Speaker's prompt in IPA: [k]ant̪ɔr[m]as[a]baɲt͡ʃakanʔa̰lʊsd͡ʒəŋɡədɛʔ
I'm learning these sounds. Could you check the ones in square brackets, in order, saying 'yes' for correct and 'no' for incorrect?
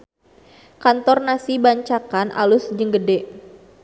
yes, no, no

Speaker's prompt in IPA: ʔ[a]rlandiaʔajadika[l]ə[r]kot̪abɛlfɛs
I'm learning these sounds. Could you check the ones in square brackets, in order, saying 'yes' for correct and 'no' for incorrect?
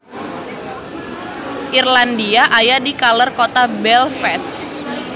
no, yes, yes

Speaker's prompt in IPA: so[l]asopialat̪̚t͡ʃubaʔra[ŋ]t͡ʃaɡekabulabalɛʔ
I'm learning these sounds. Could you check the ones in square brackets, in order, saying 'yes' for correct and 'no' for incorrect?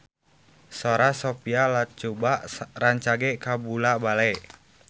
no, no

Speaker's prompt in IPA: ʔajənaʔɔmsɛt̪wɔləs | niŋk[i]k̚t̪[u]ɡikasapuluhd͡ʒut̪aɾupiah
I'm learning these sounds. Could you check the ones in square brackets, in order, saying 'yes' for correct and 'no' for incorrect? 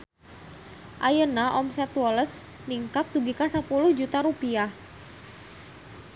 no, yes

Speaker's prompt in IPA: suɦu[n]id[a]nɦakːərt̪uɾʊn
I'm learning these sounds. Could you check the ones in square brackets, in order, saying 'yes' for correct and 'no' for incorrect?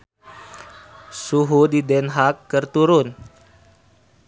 no, no

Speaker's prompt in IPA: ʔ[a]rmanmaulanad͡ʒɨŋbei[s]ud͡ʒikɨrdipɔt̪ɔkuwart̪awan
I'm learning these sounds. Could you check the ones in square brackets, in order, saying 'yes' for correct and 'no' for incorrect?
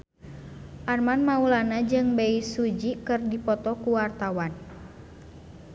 yes, yes

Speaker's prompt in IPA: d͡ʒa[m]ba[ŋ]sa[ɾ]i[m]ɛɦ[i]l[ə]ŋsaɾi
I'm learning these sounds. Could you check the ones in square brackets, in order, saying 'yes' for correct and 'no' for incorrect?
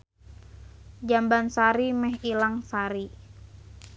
yes, no, yes, yes, yes, no

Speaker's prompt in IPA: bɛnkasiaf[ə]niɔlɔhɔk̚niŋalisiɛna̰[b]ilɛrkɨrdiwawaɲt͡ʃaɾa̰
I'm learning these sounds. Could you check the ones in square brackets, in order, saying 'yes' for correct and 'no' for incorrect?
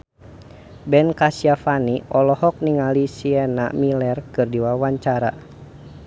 no, no

